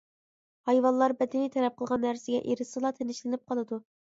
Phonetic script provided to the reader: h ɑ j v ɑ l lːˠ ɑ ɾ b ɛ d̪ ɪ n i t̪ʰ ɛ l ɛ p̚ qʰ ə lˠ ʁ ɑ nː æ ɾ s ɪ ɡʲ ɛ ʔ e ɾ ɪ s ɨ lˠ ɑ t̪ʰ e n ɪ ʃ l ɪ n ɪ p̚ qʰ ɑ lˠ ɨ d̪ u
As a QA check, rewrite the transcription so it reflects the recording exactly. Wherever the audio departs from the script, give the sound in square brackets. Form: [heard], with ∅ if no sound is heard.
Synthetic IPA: h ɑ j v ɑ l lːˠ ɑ ɾ b ɛ d̪ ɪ n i t̪ʰ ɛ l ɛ p̚ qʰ ə lˠ ʁ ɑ nː æ ɾ s ɪ ɡʲ ɛ ʔ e ɾ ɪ s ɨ lˠ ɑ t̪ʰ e n ɪ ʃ l ɪ n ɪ p̚ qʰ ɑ lˠ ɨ d̪ u

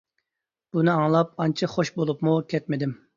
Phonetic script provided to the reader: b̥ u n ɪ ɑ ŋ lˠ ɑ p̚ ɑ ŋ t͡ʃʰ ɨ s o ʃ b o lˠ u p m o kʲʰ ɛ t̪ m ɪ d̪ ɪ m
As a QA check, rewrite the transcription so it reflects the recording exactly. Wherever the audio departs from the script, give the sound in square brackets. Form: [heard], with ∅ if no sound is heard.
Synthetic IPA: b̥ u n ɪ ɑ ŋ lˠ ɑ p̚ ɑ [n] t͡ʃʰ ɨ [χ] o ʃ b o lˠ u p m [u] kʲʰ ɛ t̪ m ɪ d̪ ɪ m

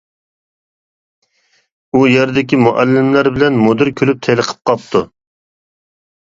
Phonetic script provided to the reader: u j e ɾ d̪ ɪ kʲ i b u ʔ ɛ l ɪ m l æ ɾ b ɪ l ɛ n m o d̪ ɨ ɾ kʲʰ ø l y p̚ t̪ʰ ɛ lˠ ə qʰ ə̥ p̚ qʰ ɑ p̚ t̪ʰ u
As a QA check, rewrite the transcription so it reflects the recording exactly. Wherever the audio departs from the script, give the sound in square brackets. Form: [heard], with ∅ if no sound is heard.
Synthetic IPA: u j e ɾ d̪ ɪ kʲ i [m] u ʔ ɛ [lː] ɪ m l æ ɾ b ɪ l ɛ n m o d̪ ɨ ɾ kʲʰ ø l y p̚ t̪ʰ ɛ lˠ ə qʰ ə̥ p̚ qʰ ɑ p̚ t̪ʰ u

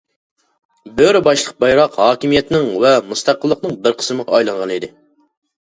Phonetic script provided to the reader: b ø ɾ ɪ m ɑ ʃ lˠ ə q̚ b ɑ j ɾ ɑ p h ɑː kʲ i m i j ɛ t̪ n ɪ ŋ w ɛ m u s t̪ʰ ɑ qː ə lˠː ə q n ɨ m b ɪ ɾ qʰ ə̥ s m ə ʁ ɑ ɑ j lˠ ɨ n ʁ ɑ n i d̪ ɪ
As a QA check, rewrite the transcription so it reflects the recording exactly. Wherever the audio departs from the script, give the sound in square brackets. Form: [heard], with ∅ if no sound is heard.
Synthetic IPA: b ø ɾ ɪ [b] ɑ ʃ lˠ ə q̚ b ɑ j ɾ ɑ [q] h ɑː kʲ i m i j ɛ t̪ n ɪ ŋ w ɛ m u s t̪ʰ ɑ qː ə lˠː ə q n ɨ [ŋ] b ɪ ɾ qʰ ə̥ s m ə ʁ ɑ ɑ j lˠ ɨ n ʁ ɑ n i d̪ ɪ

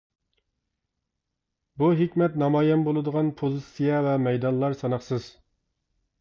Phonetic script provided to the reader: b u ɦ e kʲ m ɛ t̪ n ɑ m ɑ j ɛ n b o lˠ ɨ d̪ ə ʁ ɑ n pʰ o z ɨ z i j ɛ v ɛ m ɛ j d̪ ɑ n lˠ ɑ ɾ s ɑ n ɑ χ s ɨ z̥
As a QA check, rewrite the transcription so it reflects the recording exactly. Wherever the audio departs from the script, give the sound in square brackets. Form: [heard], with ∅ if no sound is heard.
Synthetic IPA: b u ɦ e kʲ m ɛ t̪ n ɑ m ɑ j ɛ n b o lˠ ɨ d̪ ə ʁ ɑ n pʰ o z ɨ [s] i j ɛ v ɛ m ɛ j d̪ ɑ n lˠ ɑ ɾ s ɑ n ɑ χ s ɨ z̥

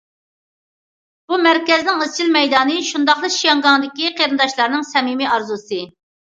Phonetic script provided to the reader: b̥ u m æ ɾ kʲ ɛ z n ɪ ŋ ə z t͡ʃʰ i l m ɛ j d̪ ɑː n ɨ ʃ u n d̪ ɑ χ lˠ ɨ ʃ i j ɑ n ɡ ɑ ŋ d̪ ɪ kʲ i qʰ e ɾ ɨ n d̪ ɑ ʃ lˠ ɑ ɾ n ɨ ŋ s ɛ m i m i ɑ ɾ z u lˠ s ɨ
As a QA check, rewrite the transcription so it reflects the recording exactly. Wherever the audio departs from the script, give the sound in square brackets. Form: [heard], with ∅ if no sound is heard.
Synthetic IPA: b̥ u m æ ɾ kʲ ɛ z n ɪ ŋ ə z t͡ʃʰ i l m ɛ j d̪ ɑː n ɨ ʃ u n d̪ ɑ χ lˠ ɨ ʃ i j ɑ [ŋ] ɡ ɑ ŋ d̪ ɪ kʲ i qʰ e ɾ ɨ n d̪ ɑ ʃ lˠ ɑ ɾ n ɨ ŋ s ɛ m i m i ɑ ɾ z u [∅] s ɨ

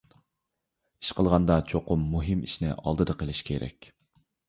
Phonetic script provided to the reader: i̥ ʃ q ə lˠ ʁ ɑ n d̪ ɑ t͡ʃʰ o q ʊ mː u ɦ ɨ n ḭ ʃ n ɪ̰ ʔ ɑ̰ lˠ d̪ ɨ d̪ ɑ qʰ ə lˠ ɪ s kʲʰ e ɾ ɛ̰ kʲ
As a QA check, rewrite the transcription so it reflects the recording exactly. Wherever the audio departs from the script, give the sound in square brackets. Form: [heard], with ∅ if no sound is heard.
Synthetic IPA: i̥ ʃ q ə lˠ ʁ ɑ n d̪ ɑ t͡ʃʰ o q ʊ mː u ɦ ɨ [m] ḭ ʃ n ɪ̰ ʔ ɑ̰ lˠ d̪ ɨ d̪ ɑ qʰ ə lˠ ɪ [ʃ] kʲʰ e ɾ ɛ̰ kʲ

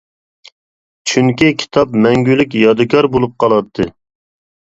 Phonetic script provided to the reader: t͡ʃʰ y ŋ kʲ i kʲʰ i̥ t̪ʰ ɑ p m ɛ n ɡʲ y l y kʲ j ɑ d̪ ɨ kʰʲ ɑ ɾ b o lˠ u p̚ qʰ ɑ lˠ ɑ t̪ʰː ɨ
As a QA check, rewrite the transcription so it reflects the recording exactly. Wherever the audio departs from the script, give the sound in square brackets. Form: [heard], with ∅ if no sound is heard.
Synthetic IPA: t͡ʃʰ y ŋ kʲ i kʲʰ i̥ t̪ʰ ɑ p m ɛ [ŋ] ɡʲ y l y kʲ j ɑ d̪ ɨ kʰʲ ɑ ɾ b o lˠ u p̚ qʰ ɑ lˠ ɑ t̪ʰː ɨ

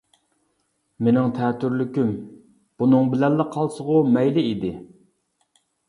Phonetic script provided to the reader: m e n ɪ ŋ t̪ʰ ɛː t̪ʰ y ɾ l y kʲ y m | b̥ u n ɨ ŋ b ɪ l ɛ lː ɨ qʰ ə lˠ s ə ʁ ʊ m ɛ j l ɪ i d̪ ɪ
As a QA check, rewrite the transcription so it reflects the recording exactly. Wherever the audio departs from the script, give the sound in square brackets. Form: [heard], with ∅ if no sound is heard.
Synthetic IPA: m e n ɪ ŋ t̪ʰ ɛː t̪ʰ y ɾ l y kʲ y m | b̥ u n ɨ ŋ b ɪ l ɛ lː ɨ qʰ [ɑ] lˠ s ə ʁ ʊ m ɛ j l ɪ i d̪ ɪ

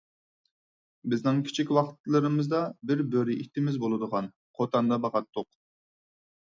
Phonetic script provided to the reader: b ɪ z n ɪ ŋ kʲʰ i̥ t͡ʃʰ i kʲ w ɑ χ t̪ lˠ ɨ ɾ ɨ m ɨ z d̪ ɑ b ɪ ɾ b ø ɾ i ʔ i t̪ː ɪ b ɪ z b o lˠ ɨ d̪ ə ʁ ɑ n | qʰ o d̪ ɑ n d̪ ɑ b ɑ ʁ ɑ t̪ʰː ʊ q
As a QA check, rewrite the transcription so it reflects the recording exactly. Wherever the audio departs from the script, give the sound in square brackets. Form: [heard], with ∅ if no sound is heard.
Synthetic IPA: b ɪ z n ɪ ŋ kʲʰ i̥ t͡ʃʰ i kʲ w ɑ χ t̪ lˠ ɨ ɾ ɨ m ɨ z d̪ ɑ b ɪ ɾ b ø ɾ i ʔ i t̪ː ɪ [m] ɪ z b o lˠ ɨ d̪ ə ʁ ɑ n | qʰ o [t̪] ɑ n d̪ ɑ b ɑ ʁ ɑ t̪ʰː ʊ q

